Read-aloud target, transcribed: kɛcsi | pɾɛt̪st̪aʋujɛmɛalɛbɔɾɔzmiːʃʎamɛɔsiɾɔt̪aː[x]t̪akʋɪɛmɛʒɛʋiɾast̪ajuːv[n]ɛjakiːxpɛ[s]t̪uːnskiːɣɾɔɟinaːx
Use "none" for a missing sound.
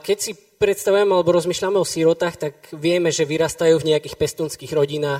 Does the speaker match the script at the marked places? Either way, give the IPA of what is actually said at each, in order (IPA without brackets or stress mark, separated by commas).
x, ɲ, s